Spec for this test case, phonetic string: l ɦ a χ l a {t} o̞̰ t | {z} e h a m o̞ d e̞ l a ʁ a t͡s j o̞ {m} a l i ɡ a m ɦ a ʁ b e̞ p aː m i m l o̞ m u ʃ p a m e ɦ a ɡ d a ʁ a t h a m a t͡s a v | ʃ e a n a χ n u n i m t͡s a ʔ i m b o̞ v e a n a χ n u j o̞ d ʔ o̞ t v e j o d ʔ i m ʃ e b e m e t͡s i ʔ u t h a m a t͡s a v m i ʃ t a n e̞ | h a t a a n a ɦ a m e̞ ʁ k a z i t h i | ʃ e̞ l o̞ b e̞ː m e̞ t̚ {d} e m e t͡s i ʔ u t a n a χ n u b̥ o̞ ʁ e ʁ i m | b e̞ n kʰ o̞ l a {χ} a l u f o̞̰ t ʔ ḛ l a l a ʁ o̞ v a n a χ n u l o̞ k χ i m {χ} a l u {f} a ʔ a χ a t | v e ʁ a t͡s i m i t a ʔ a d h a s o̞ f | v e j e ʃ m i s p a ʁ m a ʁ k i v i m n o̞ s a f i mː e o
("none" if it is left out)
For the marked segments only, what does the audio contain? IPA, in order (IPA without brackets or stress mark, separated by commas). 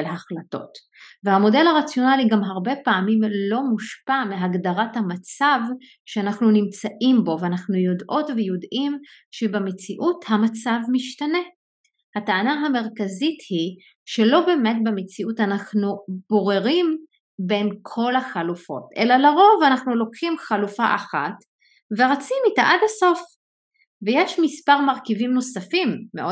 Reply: t, v, n, b, χ, χ, f